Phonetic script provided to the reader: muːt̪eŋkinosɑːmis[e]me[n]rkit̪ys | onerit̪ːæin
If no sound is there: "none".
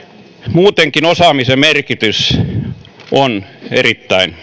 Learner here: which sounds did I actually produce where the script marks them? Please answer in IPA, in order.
e, none

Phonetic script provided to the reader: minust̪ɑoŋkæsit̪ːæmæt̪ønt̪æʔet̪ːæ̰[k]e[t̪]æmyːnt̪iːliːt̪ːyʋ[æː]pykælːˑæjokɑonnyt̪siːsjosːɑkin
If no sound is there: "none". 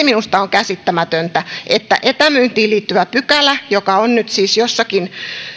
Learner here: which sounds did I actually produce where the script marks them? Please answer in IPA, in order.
ʔ, t̪, æ

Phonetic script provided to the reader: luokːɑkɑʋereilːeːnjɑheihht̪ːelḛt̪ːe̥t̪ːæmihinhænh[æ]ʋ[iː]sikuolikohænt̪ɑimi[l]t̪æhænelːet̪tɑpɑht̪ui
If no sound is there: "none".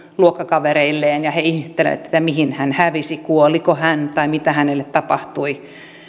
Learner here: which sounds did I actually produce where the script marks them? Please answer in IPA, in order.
æ, i, none

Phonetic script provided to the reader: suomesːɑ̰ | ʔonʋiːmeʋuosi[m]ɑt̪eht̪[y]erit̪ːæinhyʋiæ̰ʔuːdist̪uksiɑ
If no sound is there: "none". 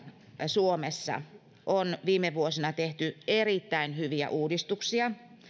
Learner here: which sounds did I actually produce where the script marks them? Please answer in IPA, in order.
n, y

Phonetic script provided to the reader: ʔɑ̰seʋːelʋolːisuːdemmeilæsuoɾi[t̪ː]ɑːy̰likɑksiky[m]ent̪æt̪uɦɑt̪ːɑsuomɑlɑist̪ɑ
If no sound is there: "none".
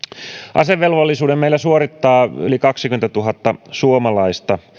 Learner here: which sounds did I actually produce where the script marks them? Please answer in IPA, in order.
t̪ː, m

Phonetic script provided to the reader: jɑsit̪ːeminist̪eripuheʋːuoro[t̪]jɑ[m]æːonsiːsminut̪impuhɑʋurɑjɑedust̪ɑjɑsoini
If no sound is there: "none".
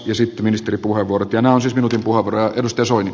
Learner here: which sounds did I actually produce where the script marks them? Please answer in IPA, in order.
t̪, n

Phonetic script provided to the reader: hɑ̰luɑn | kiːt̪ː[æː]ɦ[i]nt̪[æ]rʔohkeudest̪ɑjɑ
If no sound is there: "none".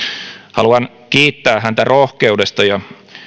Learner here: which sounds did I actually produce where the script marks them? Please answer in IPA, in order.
æː, æ, æ

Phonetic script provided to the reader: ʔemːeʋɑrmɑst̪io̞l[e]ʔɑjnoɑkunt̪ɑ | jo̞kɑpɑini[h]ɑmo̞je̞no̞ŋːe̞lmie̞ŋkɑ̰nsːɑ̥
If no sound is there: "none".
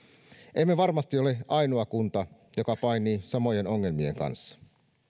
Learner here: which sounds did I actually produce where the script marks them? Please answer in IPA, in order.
e, s

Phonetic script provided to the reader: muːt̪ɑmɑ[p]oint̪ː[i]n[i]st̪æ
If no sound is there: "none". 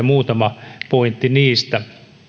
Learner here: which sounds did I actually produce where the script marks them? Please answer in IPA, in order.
p, i, iː

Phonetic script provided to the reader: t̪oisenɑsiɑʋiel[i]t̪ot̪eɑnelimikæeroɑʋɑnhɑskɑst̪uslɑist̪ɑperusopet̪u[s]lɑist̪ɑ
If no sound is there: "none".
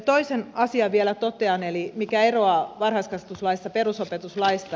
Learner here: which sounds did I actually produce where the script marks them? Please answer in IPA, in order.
æ, s

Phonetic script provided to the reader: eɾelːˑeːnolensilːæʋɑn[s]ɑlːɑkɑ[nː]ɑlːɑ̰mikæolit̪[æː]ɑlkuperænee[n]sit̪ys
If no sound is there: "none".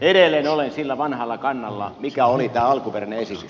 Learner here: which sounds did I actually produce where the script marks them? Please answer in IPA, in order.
h, nː, æː, none

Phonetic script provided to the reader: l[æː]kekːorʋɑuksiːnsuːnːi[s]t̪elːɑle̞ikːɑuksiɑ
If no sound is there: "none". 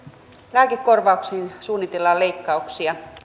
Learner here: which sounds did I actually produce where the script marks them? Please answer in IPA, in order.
æː, none

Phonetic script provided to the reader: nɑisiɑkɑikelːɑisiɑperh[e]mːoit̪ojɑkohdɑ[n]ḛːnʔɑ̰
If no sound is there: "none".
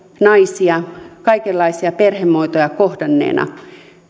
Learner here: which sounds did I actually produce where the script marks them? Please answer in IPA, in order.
e, nː

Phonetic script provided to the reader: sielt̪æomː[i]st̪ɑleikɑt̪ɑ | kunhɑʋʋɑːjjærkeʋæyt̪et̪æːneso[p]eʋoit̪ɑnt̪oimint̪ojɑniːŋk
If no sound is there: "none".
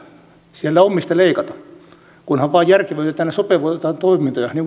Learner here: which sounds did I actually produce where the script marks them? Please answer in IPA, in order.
i, p

